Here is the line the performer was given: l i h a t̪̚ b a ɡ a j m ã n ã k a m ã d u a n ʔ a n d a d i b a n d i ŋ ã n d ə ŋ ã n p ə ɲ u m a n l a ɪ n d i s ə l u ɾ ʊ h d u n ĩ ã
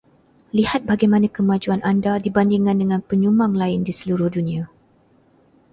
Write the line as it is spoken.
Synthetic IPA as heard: l i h a t̪̚ b a ɡ a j m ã n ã k ə m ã d͡ʒ u a n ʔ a n d a d i b a n d i ŋ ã n d ə ŋ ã n p ə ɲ u m a ŋ l a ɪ n d i s ə l u ɾ ʊ h d u n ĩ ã